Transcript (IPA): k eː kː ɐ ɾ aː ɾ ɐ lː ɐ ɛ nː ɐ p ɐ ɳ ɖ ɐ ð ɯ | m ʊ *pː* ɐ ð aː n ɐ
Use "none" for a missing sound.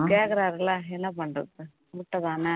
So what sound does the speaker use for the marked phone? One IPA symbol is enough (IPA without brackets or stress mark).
ʈː